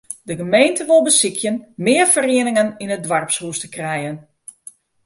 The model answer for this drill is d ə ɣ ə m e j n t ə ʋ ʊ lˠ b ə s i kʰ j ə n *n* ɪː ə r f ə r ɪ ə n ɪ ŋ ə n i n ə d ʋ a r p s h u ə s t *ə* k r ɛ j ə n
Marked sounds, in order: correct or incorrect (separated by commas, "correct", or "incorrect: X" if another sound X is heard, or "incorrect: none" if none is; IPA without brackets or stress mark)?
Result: incorrect: m, correct